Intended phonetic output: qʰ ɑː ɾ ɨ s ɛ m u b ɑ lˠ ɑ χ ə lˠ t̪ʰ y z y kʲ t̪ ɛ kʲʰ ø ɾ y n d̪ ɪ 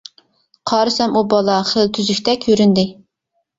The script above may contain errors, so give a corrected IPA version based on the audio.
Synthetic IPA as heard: qʰ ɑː ɾ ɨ s ɛ m u b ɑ lˠ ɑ χ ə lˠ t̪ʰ y z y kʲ t̪ ɛ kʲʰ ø ɾ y n d̪ ɪ